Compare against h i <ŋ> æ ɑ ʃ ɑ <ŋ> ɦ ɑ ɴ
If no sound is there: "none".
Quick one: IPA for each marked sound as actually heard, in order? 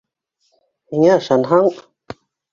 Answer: ŋ, n

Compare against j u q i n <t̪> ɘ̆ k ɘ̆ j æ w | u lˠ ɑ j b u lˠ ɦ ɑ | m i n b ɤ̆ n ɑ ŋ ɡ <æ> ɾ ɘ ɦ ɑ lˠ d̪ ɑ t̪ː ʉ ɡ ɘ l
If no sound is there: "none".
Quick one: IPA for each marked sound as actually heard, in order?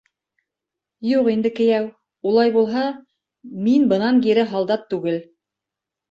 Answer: d̪, i

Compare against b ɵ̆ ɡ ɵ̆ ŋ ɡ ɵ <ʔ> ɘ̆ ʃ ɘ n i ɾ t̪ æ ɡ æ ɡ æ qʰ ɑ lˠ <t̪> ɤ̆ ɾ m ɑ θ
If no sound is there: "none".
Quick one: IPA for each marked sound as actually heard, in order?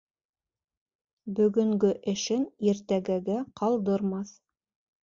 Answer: ʔ, d̪

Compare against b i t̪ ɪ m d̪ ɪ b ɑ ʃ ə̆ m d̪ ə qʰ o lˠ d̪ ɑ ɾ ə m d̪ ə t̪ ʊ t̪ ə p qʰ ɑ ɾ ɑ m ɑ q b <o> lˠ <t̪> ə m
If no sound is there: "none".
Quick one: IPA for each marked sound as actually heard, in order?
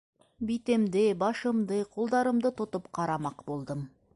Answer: o, d̪

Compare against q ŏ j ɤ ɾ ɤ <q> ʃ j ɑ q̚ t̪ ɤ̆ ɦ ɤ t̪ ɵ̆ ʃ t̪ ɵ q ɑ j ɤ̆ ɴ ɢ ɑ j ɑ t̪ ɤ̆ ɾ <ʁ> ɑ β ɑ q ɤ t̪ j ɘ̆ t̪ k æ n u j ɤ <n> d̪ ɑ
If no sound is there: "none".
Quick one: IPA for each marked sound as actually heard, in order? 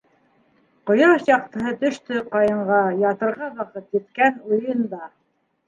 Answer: none, ʁ, n

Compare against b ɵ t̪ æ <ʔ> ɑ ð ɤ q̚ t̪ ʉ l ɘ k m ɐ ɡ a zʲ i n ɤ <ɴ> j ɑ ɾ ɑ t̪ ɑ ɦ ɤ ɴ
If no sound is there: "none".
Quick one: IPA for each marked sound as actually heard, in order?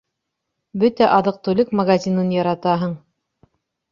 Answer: ʔ, n

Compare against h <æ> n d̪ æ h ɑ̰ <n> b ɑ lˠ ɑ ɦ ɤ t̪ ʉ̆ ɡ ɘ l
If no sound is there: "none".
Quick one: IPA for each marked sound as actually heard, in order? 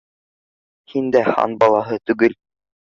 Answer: i, n

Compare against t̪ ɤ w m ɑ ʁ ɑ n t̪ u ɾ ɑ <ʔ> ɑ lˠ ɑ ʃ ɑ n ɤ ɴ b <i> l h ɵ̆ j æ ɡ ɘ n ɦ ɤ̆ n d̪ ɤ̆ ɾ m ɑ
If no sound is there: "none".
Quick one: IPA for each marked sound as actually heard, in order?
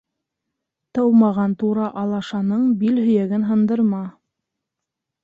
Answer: ʔ, i

